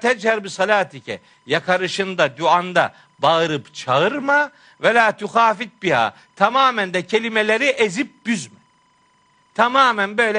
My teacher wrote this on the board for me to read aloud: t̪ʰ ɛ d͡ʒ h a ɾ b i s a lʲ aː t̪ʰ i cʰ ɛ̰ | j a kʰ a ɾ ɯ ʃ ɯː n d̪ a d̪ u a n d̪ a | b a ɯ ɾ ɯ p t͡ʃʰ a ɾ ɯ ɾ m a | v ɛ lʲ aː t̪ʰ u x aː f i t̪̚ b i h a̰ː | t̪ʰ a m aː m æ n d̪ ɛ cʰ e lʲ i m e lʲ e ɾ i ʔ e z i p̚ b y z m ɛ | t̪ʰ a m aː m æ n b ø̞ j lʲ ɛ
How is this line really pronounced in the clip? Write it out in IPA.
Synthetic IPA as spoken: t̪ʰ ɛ d͡ʒ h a ɾ b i s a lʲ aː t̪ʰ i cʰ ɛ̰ | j a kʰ a ɾ ɯ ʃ ɯ n d̪ a d̪ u a n d̪ a | b a ɯ ɾ ɯ p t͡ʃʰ a ɯ ɾ m a | v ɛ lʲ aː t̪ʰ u x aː f i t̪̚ b i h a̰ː | t̪ʰ a m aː m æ n d̪ ɛ cʰ e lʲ i m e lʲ e ɾ i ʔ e z i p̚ b y z m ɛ | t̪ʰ a m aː m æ n b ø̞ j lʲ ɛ